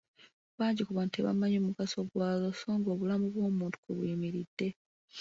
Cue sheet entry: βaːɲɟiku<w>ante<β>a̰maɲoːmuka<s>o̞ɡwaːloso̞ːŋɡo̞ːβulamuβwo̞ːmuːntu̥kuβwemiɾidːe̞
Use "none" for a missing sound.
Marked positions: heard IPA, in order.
β, β, s

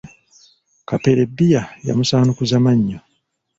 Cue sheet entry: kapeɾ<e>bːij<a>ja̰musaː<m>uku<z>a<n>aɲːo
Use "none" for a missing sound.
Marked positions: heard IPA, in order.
e, a, n, z, m

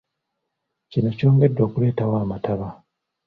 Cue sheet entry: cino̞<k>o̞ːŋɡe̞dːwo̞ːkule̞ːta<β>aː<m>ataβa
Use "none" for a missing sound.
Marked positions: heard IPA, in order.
c, w, m

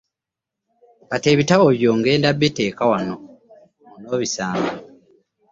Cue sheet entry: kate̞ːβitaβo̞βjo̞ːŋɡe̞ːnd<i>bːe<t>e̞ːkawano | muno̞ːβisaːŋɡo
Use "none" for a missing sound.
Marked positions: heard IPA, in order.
a, t

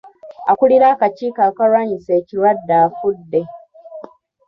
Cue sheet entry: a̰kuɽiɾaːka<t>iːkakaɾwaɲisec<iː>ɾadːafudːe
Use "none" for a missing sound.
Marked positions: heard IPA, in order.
t͡ʃ, i

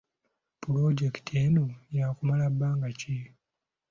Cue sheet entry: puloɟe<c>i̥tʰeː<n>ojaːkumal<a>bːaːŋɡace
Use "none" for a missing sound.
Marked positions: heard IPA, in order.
k, n, a

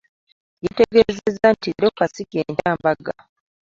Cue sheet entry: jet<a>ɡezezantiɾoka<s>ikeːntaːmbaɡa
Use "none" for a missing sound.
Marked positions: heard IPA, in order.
e, s

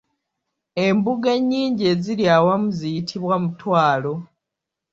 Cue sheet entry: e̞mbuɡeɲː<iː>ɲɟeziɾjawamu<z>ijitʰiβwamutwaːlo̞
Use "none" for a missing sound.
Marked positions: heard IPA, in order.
iː, z

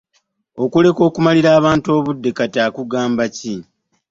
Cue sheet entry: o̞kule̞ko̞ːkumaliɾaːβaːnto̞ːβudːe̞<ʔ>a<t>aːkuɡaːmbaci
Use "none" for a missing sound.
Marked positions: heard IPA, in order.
k, t

